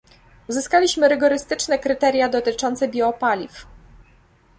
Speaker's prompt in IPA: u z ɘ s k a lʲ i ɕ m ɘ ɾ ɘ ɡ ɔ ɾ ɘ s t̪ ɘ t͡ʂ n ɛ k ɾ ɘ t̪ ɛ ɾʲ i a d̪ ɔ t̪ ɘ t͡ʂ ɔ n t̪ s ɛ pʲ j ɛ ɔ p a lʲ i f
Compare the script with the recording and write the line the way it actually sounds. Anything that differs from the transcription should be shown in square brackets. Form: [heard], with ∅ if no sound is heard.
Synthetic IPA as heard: u z ɘ s k a lʲ i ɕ m ɘ ɾ ɘ ɡ ɔ ɾ ɘ s t̪ ɘ t͡ʂ n ɛ k ɾ ɘ t̪ ɛ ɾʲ [j] a d̪ ɔ t̪ ɘ t͡ʂ ɔ n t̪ s ɛ [bʲ] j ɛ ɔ p a lʲ i f